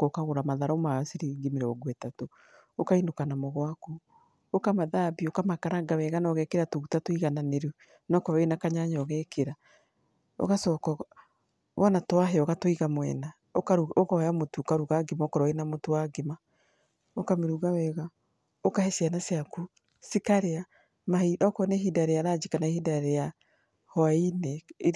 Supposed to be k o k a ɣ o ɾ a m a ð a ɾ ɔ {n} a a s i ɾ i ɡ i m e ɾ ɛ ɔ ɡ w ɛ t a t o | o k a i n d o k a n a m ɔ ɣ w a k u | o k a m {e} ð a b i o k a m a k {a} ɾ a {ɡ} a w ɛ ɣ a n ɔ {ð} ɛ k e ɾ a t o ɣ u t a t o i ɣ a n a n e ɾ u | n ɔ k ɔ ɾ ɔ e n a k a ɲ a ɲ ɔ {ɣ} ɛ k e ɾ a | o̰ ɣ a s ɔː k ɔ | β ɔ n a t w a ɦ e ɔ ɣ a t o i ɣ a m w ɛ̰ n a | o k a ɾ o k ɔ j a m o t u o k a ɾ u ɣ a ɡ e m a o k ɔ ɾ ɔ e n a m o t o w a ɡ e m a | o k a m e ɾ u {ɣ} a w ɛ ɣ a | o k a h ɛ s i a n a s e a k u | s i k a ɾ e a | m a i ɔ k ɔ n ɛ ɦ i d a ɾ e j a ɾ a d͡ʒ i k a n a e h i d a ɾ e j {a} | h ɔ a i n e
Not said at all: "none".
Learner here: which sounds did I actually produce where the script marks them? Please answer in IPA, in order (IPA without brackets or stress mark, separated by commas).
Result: m, a, a, ɡ, ɣ, ɣ, ɣ, a